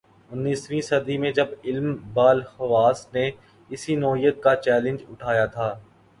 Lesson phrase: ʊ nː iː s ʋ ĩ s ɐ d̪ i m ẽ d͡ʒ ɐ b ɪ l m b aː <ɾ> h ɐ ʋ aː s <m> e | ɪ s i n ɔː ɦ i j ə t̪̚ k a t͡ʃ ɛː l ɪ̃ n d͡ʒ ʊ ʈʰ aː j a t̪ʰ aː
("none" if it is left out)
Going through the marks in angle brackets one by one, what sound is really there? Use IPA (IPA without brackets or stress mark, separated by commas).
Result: l, n